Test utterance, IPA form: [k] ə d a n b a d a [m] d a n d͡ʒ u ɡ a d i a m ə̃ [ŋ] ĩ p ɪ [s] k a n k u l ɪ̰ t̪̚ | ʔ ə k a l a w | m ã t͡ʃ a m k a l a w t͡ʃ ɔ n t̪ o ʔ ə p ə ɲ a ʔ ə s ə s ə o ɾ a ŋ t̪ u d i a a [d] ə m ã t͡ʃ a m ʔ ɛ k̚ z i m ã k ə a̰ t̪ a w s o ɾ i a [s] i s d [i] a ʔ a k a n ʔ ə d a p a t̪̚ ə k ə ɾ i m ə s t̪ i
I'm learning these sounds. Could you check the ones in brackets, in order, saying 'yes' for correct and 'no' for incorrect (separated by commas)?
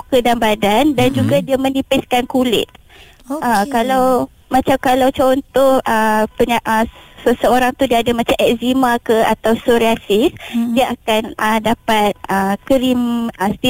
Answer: yes, no, no, yes, yes, yes, yes